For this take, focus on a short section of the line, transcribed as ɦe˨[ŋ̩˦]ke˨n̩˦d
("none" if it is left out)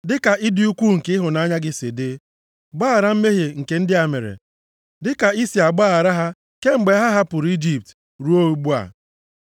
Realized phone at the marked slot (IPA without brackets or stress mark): ŋ̩˨